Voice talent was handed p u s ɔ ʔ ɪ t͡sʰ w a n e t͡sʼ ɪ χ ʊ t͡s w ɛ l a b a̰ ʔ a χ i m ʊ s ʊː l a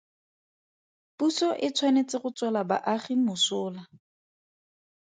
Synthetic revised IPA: p u s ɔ ʔ ɪ t͡sʰ w a n e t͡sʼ ɪ χ ʊ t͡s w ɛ l a b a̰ ʔ a χ i m ʊ s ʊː l a